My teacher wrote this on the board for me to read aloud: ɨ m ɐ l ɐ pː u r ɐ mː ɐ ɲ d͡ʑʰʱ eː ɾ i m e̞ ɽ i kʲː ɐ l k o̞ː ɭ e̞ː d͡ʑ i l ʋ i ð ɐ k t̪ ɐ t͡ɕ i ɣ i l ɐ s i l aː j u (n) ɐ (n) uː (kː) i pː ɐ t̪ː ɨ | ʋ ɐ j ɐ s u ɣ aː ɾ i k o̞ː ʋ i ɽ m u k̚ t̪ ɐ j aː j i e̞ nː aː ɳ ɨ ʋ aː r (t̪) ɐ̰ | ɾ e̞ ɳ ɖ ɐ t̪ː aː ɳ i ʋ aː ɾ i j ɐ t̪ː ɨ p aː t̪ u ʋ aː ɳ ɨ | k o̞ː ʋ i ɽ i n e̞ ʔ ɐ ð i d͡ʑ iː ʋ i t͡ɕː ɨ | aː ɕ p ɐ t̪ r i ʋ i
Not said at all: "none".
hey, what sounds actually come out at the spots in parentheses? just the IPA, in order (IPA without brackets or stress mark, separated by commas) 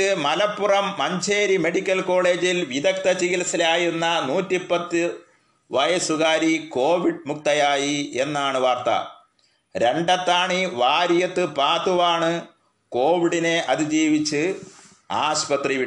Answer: nː, n, tː, t̪